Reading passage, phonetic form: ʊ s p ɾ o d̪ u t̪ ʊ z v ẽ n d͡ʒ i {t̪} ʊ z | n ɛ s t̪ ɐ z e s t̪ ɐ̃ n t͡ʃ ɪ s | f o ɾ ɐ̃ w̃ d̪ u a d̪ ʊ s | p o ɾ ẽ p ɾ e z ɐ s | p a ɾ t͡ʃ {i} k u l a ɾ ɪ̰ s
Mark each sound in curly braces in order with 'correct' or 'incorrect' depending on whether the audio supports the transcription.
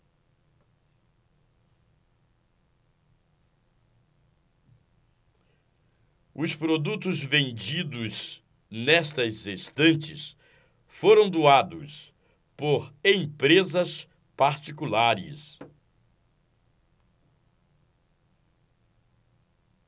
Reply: incorrect: d̪, correct

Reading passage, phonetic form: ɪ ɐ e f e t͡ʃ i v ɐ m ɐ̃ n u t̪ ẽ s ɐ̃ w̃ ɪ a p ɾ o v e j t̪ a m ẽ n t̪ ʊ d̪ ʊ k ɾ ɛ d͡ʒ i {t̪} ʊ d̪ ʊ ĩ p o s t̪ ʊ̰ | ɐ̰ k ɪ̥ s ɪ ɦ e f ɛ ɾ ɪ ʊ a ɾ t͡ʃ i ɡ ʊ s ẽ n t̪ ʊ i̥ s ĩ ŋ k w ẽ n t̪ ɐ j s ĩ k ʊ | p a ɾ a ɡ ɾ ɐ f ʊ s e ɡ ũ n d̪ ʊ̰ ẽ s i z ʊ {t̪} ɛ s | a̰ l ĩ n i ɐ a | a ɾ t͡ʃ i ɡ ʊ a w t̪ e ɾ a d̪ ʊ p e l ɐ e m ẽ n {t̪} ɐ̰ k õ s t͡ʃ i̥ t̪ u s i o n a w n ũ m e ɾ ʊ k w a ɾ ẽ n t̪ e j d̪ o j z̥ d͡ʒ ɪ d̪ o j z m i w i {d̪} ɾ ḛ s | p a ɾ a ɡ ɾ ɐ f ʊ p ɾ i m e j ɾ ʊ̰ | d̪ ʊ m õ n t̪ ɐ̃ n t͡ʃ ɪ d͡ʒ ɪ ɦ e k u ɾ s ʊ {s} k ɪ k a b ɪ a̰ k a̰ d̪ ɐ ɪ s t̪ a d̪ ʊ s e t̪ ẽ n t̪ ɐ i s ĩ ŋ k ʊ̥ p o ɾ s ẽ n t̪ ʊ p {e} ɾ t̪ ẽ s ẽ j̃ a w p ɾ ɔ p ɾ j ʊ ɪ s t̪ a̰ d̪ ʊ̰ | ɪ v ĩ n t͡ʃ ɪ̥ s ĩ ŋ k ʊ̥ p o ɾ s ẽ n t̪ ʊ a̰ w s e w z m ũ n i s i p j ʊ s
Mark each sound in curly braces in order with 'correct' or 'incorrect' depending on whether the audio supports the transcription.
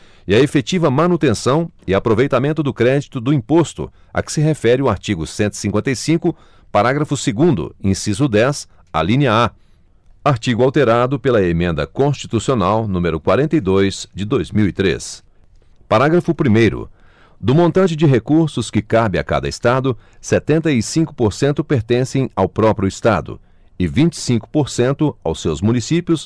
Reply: correct, incorrect: d̪, incorrect: d̪, incorrect: t̪, correct, correct

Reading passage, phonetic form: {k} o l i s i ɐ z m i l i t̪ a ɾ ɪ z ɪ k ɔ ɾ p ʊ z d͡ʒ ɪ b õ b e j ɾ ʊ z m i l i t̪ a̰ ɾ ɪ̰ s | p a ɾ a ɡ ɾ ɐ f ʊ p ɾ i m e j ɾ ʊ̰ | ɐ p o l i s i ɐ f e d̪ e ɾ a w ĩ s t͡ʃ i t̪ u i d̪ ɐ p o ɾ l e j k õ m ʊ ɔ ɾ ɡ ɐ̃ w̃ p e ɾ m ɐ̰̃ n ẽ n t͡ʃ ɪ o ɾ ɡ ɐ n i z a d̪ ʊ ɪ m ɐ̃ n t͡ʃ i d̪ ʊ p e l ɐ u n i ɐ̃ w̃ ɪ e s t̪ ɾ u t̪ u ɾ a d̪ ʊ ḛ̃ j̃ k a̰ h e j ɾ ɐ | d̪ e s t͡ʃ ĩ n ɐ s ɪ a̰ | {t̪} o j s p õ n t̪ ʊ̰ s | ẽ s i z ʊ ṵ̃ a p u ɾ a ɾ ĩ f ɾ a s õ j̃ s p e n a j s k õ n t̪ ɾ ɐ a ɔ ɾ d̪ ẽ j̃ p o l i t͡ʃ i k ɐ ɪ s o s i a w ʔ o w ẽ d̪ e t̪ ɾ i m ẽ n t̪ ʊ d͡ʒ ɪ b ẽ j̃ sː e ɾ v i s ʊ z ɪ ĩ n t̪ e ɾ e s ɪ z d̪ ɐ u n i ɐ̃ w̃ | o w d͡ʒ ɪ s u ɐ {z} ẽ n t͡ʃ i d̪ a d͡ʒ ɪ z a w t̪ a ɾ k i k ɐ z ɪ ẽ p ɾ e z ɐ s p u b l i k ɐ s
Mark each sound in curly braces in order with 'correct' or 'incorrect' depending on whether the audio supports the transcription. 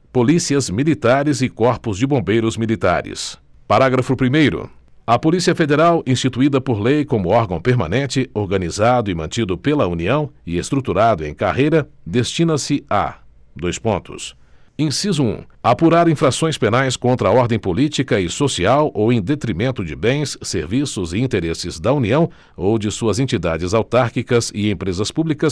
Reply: incorrect: p, incorrect: d̪, correct

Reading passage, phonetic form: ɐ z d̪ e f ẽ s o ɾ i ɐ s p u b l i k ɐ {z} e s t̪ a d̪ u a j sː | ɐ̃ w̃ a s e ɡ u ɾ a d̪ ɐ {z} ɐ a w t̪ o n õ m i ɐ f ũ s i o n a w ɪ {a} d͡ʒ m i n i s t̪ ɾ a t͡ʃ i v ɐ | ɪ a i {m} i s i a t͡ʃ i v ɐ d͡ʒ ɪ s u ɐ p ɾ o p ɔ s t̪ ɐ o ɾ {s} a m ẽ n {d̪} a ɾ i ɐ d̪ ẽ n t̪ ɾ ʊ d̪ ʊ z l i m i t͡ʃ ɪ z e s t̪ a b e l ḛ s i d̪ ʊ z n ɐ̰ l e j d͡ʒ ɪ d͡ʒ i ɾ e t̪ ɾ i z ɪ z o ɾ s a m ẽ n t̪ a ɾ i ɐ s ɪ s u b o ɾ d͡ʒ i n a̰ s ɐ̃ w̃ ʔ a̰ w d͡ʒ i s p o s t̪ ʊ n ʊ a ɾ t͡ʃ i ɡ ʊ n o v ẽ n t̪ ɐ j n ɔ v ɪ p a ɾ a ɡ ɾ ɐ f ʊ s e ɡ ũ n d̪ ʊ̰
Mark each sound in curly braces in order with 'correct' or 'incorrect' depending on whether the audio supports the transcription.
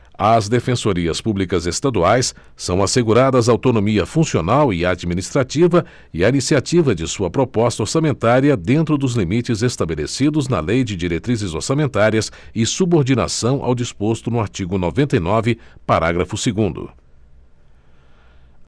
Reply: correct, correct, correct, incorrect: n, correct, incorrect: t̪

